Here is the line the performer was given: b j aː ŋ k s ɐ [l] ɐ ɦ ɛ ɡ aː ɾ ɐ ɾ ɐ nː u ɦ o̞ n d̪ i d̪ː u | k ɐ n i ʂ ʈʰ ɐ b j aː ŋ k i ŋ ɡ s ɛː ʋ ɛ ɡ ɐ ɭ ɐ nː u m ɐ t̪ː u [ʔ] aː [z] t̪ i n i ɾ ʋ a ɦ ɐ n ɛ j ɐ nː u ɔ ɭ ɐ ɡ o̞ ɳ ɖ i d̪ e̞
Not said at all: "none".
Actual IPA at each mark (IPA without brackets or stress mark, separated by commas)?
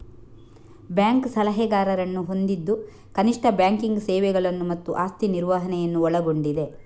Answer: l, ʔ, s